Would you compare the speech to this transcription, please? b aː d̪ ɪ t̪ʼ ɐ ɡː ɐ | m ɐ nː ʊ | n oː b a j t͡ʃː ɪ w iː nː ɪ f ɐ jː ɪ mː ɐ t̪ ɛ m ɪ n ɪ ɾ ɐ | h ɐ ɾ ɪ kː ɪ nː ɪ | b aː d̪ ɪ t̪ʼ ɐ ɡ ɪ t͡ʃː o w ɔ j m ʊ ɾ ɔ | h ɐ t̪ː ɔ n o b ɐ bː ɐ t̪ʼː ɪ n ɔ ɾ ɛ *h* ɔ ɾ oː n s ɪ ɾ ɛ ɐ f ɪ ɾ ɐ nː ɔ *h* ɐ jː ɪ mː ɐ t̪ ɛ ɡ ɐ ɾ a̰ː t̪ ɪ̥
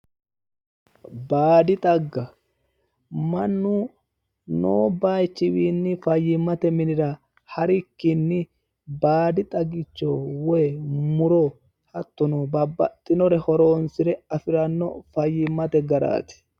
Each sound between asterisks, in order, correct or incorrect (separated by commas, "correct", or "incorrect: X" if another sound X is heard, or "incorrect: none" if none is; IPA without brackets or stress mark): correct, incorrect: f